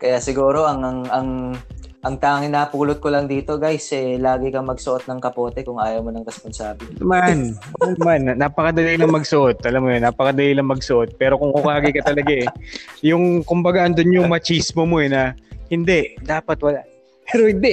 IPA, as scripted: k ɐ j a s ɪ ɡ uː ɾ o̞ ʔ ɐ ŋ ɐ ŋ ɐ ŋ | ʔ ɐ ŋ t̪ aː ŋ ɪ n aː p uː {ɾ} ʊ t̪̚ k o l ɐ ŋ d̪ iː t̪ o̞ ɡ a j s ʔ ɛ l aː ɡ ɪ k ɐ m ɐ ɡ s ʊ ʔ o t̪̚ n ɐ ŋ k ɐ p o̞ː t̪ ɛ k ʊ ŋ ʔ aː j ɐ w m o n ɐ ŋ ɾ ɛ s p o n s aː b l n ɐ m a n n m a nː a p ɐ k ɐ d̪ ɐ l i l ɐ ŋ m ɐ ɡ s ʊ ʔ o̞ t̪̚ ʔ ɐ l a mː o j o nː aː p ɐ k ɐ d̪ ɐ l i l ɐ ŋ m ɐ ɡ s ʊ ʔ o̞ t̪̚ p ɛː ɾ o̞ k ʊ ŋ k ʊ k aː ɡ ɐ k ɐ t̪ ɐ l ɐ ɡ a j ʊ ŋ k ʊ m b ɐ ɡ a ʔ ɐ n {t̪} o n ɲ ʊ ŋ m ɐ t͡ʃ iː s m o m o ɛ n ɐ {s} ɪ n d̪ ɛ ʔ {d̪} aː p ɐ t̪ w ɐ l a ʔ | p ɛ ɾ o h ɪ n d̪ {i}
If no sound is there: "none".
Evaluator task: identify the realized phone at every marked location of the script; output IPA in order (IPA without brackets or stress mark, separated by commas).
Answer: l, d̪, h, d̪, ɛ